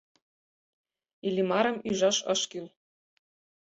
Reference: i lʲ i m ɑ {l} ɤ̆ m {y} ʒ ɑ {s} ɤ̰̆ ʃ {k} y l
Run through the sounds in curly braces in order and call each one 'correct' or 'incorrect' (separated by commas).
incorrect, correct, incorrect, correct